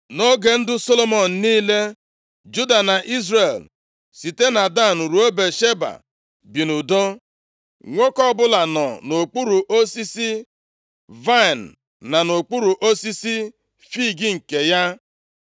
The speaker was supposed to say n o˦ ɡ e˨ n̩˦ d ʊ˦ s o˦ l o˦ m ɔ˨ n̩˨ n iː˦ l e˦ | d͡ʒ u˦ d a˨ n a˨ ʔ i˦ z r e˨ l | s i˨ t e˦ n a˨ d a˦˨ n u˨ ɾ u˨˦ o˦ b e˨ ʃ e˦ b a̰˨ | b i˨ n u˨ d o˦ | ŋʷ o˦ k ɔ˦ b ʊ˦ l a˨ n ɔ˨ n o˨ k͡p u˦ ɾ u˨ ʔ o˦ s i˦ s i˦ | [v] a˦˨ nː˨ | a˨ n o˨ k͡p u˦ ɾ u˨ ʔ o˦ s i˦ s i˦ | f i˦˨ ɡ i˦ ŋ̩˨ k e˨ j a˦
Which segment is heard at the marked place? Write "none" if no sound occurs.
v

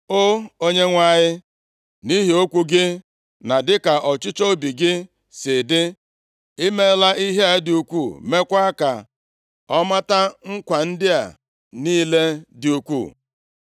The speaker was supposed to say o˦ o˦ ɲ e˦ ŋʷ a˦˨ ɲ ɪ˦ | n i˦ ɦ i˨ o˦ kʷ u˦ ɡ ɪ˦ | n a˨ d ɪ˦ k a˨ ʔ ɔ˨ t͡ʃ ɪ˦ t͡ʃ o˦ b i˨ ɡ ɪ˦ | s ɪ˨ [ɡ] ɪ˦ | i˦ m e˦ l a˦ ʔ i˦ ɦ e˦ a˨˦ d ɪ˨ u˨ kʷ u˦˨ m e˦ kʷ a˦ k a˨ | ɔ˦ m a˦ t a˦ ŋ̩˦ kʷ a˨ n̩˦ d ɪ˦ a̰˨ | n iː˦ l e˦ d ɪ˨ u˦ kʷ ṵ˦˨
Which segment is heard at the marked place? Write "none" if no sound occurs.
d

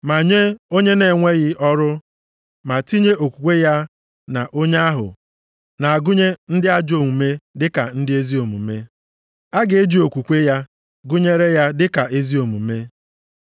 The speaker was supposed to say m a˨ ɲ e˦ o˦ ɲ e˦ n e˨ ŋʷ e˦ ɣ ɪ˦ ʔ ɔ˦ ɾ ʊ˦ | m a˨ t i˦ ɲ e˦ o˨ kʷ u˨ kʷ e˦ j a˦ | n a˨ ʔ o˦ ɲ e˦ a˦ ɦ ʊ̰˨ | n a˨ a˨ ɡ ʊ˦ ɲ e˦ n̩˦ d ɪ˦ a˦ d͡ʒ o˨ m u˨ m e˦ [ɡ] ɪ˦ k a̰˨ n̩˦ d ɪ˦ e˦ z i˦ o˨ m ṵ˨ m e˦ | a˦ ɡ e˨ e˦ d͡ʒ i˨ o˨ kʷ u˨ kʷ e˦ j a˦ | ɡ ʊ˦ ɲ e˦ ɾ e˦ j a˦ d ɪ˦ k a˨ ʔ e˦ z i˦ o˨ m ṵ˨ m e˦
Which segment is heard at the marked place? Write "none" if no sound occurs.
d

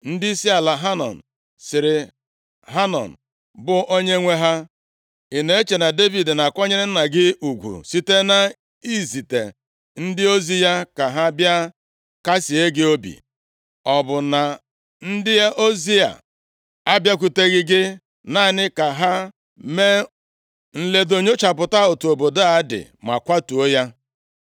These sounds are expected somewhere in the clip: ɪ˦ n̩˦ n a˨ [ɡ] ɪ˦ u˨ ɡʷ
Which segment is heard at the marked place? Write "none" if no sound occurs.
ɡ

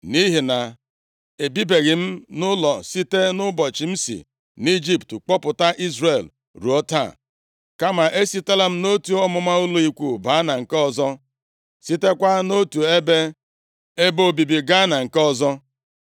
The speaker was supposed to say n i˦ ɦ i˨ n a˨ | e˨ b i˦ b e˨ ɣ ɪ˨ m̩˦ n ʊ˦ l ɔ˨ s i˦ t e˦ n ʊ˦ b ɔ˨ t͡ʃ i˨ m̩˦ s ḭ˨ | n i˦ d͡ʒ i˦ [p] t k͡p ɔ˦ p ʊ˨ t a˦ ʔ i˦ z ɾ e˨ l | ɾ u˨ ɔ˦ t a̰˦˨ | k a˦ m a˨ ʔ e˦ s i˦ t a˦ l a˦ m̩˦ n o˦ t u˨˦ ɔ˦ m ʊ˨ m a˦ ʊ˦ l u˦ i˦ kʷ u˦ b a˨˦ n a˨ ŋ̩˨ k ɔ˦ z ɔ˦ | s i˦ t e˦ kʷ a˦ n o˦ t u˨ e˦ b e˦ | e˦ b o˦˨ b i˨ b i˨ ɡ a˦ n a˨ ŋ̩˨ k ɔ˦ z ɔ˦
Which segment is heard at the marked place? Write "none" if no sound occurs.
p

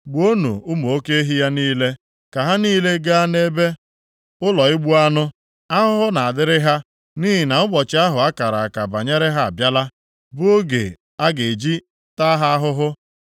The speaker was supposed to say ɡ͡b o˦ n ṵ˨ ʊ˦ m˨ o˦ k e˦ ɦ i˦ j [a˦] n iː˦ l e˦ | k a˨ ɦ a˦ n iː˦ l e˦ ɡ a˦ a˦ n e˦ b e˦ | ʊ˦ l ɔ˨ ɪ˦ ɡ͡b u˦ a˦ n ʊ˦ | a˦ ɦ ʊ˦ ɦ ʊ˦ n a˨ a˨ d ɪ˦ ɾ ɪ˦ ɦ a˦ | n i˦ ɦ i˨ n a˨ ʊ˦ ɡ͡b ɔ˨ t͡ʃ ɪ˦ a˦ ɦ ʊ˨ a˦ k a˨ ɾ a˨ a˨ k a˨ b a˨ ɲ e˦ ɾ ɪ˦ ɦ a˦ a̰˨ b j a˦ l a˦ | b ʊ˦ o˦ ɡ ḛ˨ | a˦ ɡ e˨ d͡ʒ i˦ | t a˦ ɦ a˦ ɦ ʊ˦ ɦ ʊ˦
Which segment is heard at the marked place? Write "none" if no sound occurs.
a˦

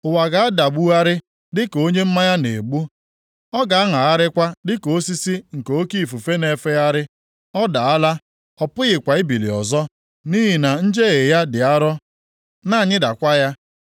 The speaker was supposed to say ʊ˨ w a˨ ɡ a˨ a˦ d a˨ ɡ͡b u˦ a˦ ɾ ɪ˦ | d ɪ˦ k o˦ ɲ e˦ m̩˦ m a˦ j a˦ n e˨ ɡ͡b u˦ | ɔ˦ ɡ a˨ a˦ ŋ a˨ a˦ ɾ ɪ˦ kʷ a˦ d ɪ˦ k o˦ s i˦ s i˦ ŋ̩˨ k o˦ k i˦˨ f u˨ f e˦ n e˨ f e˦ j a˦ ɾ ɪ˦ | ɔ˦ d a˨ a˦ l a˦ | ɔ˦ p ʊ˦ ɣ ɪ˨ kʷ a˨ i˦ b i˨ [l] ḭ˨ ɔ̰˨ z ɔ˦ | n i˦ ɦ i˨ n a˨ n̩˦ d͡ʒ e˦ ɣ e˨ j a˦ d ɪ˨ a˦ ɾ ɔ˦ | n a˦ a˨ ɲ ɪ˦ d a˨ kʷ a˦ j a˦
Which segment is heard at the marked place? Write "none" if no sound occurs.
l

